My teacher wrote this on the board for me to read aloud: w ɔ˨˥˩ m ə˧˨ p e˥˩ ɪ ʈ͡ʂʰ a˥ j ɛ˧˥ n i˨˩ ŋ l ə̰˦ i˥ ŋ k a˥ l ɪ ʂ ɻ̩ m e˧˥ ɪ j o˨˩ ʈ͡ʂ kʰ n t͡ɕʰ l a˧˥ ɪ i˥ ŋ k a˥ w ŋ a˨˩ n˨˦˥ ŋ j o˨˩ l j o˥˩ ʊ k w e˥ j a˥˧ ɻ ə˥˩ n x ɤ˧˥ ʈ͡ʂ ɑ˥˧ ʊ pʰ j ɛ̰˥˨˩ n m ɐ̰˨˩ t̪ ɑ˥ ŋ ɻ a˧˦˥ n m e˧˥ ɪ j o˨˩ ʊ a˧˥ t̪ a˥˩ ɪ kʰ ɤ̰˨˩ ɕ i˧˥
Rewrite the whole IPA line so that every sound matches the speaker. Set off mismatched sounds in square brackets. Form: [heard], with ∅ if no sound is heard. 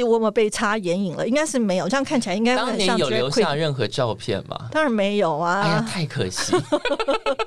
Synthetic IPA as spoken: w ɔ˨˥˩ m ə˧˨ p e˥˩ ɪ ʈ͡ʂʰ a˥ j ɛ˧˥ n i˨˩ ŋ l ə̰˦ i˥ ŋ k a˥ [∅] ɪ ʂ ɻ̩ m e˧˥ ɪ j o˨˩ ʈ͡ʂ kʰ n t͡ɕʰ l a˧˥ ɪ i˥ ŋ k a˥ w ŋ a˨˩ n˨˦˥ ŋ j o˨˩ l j [o˧˦] ʊ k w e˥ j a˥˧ ɻ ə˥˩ n x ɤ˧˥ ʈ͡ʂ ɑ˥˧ ʊ pʰ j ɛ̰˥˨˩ n m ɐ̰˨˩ t̪ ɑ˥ ŋ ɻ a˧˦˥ n m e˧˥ ɪ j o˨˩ ʊ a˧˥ [t̪ʰ] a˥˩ ɪ kʰ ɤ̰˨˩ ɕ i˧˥